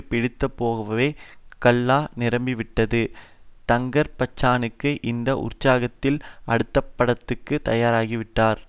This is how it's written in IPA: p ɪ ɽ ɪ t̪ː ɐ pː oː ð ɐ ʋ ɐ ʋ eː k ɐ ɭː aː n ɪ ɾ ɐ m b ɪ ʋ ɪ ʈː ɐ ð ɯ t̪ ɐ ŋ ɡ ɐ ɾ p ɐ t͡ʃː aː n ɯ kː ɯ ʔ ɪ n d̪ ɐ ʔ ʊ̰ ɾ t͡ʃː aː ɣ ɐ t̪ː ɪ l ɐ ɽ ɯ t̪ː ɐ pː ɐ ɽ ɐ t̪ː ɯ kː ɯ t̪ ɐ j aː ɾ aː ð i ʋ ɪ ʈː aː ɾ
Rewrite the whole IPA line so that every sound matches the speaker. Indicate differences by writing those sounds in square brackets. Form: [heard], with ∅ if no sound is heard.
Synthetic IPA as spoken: p ɪ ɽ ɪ t̪ː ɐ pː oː [ɣ] ɐ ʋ ɐ ʋ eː k ɐ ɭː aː n ɪ ɾ ɐ m b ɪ ʋ ɪ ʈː ɐ ð ɯ t̪ ɐ ŋ ɡ ɐ ɾ p ɐ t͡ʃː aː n ɯ kː ɯ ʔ ɪ n d̪ ɐ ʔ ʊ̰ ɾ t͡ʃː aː ɣ ɐ t̪ː ɪ l ɐ ɽ ɯ t̪ː ɐ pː ɐ ɽ ɐ t̪ː ɯ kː ɯ t̪ ɐ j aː ɾ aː [ɣ] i ʋ ɪ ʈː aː ɾ

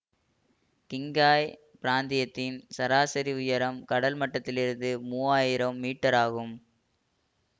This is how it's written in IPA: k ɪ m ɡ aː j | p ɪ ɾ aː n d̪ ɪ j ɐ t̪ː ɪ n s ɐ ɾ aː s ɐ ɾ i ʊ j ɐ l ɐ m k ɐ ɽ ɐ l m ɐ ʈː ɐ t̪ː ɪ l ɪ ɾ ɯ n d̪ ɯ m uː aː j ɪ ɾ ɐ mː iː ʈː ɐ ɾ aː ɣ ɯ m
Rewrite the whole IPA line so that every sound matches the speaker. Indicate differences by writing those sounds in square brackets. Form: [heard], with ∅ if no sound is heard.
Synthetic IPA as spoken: k ɪ [ŋ] ɡ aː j | p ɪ ɾ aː n d̪ ɪ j ɐ t̪ː ɪ n s ɐ ɾ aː s ɐ ɾ i ʊ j ɐ [ɾ] ɐ m k ɐ ɽ ɐ l m ɐ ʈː ɐ t̪ː ɪ l ɪ ɾ ɯ n d̪ ɯ m uː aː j ɪ ɾ ɐ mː iː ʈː ɐ ɾ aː ɣ ɯ m

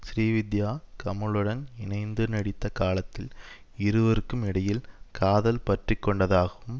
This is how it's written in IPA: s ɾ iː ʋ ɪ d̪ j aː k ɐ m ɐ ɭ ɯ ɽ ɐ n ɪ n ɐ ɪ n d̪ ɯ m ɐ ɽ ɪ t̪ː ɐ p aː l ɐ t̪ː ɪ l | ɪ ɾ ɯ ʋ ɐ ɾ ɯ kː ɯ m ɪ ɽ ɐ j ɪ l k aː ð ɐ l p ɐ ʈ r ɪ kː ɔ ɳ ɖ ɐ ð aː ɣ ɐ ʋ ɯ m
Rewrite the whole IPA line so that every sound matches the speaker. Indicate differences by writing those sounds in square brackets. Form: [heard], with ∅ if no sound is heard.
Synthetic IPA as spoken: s ɾ iː ʋ ɪ d̪ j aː k ɐ m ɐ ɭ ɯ ɽ ɐ n ɪ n ɐ ɪ n d̪ ɯ [n] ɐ ɽ ɪ t̪ː ɐ [k] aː l ɐ t̪ː ɪ l | ɪ ɾ ɯ ʋ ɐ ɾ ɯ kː ɯ m ɪ ɽ ɐ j ɪ l k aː ð ɐ l p ɐ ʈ r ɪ kː ɔ ɳ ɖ ɐ ð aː ɣ ɐ ʋ ɯ m

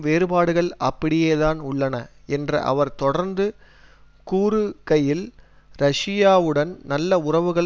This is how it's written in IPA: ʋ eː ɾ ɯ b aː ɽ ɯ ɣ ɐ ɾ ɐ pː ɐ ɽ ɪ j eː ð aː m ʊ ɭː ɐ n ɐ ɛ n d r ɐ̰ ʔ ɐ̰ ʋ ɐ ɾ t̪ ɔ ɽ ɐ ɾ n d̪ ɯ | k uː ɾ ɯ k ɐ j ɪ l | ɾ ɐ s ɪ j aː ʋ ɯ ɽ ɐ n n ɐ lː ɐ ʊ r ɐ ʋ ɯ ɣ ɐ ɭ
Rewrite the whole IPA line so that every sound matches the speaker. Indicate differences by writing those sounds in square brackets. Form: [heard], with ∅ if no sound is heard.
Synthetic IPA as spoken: ʋ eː ɾ ɯ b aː ɽ ɯ ɣ ɐ [ɭ] ɐ pː ɐ ɽ ɪ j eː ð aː [n] ʊ ɭː ɐ n ɐ ɛ n d r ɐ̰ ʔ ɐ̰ ʋ ɐ ɾ t̪ ɔ ɽ ɐ ɾ n d̪ ɯ | k uː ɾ ɯ k ɐ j ɪ l | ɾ ɐ [ʂ] ɪ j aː ʋ ɯ ɽ ɐ n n ɐ lː ɐ ʊ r ɐ ʋ ɯ ɣ ɐ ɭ

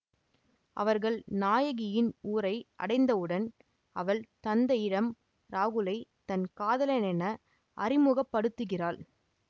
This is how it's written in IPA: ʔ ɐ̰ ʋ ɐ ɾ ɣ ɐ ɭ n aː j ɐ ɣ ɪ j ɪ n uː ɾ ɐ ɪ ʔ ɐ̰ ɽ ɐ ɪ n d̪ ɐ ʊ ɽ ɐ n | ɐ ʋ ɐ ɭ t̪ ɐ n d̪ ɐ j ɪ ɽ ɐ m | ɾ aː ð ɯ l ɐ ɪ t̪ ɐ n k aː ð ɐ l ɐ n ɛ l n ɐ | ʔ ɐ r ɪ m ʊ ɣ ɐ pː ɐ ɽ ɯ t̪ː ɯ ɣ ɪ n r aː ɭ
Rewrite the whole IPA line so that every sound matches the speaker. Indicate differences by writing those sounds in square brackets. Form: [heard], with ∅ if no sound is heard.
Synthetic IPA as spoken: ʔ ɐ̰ ʋ ɐ ɾ ɣ ɐ ɭ n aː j ɐ ɣ ɪ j ɪ n uː ɾ ɐ ɪ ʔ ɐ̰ ɽ ɐ ɪ n d̪ ɐ [ɯ] ɽ ɐ n | ɐ ʋ ɐ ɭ t̪ ɐ n d̪ ɐ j ɪ ɽ ɐ m | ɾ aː [ɣ] ɯ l ɐ ɪ t̪ ɐ n k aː ð ɐ l ɐ n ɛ [∅] n ɐ | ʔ ɐ r ɪ m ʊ ɣ ɐ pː ɐ ɽ ɯ t̪ː ɯ ɣ ɪ [∅] r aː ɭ

